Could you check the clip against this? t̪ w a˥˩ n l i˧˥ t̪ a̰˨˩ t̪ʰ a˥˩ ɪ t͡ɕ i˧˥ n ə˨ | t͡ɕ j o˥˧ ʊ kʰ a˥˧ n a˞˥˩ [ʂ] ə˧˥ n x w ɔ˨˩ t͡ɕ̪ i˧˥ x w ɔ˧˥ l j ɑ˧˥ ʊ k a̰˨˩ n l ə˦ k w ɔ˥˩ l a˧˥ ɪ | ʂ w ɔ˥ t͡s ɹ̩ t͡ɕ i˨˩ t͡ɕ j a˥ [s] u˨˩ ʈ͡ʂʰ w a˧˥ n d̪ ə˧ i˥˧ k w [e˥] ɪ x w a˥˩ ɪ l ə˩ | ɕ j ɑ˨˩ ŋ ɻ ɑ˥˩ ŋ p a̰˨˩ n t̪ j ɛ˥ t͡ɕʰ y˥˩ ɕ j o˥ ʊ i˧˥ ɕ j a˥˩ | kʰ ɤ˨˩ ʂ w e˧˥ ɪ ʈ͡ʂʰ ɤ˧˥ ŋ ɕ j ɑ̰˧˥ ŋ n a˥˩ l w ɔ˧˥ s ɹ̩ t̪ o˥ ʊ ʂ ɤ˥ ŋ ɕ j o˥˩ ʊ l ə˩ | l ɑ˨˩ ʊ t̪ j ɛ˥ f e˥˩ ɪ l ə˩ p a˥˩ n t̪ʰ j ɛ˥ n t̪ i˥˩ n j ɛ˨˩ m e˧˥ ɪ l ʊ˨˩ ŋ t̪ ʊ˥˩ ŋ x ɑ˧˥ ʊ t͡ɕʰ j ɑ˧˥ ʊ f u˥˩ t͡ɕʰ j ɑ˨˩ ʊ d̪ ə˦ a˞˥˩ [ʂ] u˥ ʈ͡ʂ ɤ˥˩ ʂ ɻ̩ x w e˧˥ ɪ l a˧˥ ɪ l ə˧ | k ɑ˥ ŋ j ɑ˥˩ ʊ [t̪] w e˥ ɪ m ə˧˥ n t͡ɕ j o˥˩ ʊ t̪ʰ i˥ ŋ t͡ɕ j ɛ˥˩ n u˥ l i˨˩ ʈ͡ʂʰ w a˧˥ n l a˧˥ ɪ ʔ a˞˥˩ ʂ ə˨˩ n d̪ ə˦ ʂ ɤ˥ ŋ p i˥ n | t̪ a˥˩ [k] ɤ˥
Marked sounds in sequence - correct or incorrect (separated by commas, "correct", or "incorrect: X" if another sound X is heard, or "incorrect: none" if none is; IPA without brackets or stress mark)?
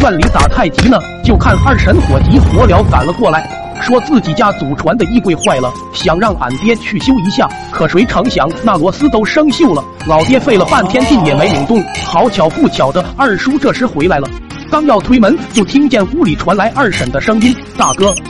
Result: correct, incorrect: t͡s, incorrect: e˥˧, correct, incorrect: t̪ʰ, correct